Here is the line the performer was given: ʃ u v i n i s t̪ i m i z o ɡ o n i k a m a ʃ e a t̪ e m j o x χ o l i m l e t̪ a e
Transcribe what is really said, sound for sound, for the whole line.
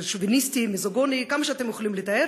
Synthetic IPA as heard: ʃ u v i n i s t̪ i m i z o ɡ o n i k a m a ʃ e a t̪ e m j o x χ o l i m l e t̪ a e